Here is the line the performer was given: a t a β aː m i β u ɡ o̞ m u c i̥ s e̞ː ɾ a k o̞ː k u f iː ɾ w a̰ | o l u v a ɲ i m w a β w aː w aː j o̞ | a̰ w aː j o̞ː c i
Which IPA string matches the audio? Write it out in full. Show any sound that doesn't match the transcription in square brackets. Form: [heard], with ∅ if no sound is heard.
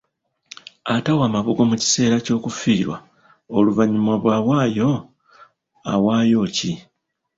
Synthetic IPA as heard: a t a [w] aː m [a] β u ɡ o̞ m u c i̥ s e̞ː ɾ a [c] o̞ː k u f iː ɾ w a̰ | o l u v a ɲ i m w a β w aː w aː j o̞ | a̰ w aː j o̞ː c i